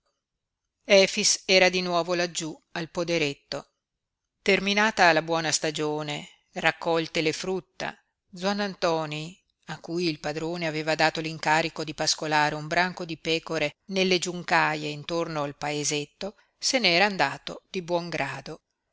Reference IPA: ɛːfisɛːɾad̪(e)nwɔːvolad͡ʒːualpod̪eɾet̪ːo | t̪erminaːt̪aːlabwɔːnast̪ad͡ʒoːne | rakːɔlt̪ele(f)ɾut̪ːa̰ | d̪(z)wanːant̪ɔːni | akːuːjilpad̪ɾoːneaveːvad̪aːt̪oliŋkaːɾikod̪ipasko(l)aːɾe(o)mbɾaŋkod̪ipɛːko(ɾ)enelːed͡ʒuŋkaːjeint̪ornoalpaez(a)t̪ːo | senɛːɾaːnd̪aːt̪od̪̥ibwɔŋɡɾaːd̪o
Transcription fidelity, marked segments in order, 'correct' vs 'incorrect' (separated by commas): incorrect, correct, correct, correct, incorrect, correct, incorrect